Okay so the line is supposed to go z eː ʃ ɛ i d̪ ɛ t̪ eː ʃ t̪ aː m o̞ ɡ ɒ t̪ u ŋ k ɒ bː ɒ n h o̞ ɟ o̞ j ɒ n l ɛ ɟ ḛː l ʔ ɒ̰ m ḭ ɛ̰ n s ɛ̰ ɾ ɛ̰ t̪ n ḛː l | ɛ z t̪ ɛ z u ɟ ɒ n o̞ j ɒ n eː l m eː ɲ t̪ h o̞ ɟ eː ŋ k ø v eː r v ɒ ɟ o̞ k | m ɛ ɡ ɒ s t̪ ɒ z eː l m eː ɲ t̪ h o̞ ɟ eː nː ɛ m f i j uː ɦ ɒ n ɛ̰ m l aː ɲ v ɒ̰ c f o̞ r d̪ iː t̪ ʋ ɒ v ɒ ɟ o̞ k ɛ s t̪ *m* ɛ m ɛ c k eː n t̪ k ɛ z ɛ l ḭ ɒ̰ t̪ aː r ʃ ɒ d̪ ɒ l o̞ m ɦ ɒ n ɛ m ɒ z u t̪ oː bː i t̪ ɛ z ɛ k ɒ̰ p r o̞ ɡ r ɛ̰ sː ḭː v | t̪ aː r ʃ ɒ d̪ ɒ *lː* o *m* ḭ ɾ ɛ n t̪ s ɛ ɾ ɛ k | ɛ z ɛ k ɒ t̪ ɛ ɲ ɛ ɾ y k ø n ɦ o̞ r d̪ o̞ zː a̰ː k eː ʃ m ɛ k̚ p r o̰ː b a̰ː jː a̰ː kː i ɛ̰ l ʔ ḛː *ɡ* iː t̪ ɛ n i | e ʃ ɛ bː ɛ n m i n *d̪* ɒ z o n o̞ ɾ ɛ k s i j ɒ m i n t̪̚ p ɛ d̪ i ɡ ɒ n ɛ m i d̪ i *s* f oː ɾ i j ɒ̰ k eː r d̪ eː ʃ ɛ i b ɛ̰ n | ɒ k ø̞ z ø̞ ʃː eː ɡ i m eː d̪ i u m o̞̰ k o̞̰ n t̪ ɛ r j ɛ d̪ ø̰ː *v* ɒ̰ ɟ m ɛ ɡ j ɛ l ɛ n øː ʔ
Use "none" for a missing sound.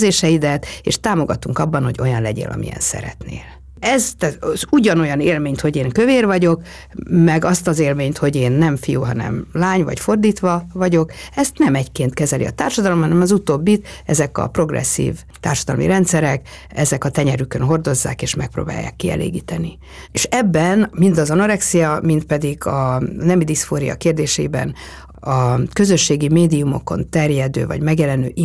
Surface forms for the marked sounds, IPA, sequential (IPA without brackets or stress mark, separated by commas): n, l, m, ɡ, d̪, s, v